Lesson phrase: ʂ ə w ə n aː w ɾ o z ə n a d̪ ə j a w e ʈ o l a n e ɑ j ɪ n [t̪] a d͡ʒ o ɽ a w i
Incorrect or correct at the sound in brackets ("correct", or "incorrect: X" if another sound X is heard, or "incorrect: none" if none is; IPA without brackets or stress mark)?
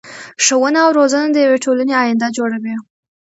incorrect: d̪